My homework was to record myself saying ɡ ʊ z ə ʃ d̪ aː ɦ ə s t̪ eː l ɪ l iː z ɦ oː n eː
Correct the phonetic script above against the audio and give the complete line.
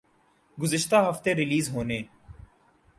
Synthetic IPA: ɡ ʊ z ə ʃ t̪ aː ɦ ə f t̪ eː ɾ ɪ l iː z ɦ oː n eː